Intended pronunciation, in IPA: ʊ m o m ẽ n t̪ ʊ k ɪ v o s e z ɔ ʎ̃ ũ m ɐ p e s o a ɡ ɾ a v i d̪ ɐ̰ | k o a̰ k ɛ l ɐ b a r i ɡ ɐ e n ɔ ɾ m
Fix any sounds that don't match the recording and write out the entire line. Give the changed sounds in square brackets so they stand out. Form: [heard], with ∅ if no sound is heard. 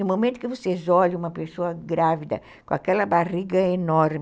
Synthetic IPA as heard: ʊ m o m ẽ n t̪ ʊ k ɪ v o s e z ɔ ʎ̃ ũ m ɐ p e s o [ɐ] ɡ ɾ a v i d̪ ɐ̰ | k [õ] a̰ k ɛ l ɐ b a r i ɡ ɐ e n ɔ ɾ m

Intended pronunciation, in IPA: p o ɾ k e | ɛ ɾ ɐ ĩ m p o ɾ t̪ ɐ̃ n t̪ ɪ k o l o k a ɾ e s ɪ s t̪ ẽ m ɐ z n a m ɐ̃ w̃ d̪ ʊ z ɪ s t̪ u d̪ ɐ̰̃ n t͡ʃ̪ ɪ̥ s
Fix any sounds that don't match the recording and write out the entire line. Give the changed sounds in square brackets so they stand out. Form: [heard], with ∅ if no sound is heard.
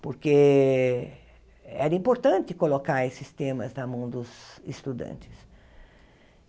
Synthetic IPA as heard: p o ɾ k e | ɛ ɾ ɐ ĩ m p o ɾ t̪ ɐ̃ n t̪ ɪ k o l o k a ɾ e s ɪ s t̪ ẽ m ɐ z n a m ɐ̃ w̃ d̪ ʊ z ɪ s t̪ u d̪ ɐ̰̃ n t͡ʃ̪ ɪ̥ s

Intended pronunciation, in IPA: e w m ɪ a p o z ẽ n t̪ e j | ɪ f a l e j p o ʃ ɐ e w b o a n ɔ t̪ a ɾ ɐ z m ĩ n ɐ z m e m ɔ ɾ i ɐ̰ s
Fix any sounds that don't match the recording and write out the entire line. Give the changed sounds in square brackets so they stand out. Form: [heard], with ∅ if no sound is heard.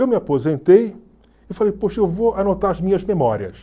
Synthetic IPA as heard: e w m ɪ a p o z ẽ n t̪ e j | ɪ f a l e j p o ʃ ɐ e w [v] o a n [o] t̪ a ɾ ɐ z m ĩ [ɲ] ɐ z m e m ɔ ɾ i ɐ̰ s

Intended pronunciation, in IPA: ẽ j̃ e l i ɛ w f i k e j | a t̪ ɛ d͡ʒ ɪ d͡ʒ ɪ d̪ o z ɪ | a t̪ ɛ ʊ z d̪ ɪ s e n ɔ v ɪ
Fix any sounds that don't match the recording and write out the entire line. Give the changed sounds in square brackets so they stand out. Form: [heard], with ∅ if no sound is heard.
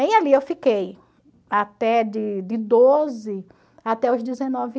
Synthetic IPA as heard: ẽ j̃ [a] l i [e] w f i k e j | a t̪ ɛ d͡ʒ ɪ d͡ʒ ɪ d̪ o z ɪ | a t̪ ɛ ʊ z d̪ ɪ [z] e n ɔ v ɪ

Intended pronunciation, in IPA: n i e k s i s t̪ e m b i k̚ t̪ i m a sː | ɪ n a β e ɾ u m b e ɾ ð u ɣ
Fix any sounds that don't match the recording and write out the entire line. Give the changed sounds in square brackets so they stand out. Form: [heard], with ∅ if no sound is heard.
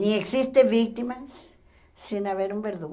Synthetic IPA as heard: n i e k s i s t̪ e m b i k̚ t̪ i m a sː | [i] n a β e ɾ u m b e ɾ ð u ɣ

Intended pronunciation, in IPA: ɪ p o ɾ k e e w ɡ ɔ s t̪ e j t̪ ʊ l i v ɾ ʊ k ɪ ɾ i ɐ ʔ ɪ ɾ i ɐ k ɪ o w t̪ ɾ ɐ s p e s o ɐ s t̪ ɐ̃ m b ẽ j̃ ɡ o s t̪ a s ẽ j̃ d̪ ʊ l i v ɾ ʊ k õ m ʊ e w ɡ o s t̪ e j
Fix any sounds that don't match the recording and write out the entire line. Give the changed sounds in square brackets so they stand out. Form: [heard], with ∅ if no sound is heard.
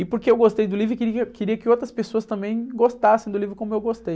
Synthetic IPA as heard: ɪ p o ɾ k e e w ɡ [o] s t̪ e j [d̪] ʊ l i v ɾ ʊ k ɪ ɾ i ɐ [k] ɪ ɾ i ɐ k ɪ o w t̪ ɾ ɐ s p e s o ɐ s t̪ ɐ̃ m b ẽ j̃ ɡ o s t̪ a s ẽ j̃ d̪ ʊ l i v ɾ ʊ k õ m ʊ e w ɡ o s t̪ e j

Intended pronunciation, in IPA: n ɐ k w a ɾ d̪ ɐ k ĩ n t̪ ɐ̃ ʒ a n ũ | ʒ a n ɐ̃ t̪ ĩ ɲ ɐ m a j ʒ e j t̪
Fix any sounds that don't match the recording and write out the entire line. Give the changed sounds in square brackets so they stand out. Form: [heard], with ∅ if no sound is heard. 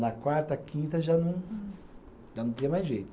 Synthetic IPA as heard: n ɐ k w a ɾ [t̪] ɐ k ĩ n t̪ [ɐ] ʒ a n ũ | ʒ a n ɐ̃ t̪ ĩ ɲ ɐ m a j ʒ e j t̪

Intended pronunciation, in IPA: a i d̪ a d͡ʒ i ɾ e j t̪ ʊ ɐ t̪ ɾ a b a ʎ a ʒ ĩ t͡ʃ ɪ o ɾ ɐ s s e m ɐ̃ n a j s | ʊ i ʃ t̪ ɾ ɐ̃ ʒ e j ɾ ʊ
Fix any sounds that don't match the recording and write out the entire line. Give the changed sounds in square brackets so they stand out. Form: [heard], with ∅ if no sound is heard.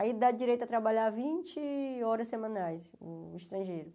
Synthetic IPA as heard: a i d̪ a d͡ʒ i ɾ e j t̪ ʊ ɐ t̪ ɾ a b a ʎ a [v] ĩ t͡ʃ ɪ [ɔ] ɾ ɐ s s e m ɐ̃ n a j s | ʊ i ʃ t̪ ɾ ɐ̃ ʒ e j ɾ ʊ

